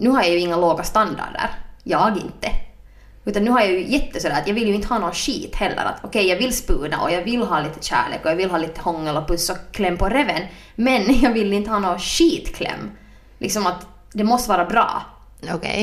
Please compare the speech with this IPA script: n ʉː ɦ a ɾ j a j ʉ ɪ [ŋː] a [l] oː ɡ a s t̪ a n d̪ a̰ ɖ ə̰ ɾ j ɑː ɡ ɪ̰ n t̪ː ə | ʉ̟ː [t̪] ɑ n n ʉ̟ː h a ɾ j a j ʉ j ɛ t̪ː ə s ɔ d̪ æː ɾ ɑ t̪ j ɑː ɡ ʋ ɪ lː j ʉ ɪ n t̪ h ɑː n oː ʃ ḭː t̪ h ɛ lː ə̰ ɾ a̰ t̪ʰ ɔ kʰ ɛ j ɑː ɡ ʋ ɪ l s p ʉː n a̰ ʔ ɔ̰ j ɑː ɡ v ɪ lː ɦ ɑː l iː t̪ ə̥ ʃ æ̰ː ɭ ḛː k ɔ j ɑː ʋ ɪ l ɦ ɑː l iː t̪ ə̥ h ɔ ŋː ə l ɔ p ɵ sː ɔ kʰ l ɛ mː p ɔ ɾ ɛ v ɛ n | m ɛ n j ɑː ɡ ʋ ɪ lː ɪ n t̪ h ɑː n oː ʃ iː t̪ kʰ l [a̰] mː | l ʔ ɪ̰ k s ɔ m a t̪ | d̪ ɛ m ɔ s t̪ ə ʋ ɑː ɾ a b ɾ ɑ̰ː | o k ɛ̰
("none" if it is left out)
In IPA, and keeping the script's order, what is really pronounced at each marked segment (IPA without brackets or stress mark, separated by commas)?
ŋː, l, t̪, ɛ̰